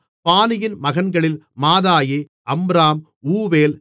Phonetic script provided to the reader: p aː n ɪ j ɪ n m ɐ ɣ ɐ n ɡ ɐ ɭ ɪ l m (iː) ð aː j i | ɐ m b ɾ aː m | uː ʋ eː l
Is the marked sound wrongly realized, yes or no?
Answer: yes